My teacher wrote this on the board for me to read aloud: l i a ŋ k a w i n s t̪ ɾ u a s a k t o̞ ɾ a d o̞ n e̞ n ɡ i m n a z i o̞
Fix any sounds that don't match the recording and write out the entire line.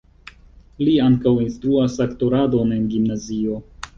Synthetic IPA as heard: l i a ŋ k a w i n s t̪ ɾ u a s a k t o̞ ɾ a d o̞ n e̞ n ɡ i m n a z i o̞